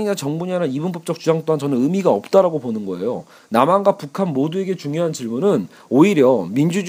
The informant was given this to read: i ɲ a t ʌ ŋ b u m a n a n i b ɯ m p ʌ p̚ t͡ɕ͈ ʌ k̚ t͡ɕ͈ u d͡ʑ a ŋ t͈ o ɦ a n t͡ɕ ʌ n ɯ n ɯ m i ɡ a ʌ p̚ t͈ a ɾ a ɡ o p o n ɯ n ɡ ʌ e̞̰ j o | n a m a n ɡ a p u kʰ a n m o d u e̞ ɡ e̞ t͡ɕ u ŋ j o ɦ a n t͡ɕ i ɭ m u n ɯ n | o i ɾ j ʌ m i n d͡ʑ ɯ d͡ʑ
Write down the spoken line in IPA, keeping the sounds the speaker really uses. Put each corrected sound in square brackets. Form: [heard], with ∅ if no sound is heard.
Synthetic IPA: i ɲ a [t͡ɕ] ʌ ŋ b u [ɲ] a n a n i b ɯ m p ʌ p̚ t͡ɕ͈ ʌ k̚ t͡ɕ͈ u d͡ʑ a ŋ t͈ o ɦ a n t͡ɕ ʌ n ɯ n ɯ m i ɡ a ʌ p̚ t͈ a ɾ a ɡ o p o n ɯ n ɡ ʌ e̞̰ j o | n a m a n ɡ a p u kʰ a n m o d u e̞ ɡ e̞ t͡ɕ u ŋ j o ɦ a n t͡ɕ i ɭ m u n ɯ n | o i ɾ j ʌ m i n d͡ʑ [u] d͡ʑ